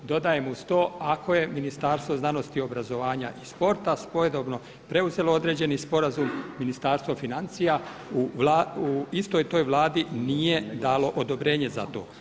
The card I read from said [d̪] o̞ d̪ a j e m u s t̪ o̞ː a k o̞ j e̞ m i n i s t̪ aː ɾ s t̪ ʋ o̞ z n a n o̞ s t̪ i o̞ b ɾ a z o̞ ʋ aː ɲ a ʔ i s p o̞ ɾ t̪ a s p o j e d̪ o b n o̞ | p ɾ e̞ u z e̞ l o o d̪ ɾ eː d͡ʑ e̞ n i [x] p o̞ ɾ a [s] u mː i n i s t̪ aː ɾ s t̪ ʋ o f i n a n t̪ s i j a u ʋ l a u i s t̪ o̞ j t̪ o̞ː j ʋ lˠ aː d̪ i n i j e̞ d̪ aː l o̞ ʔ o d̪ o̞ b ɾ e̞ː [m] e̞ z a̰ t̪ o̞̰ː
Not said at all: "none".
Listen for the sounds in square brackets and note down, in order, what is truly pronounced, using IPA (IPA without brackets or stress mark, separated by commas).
d̪, s, z, ɲ